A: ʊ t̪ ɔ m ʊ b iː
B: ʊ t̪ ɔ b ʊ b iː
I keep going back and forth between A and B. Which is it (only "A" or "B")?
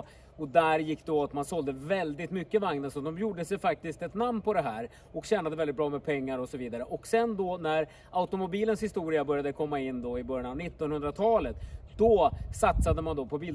A